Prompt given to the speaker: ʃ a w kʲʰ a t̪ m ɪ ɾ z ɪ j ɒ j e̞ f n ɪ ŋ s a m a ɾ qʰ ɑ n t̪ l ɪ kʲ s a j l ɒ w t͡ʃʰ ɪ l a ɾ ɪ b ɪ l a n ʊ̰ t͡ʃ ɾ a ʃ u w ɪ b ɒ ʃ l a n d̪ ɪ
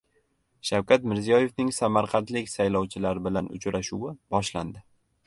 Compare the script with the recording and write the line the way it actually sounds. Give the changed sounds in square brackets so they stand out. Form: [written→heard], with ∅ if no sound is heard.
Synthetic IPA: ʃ a w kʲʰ a t̪ m ɪ ɾ z [ɪ→i] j ɒ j e̞ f n ɪ ŋ s a m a ɾ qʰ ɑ n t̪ l ɪ kʲ s a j l ɒ w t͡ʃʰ ɪ l a ɾ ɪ b ɪ l a n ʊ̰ t͡ʃ ɾ a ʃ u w ɪ b ɒ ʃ l a n d̪ ɪ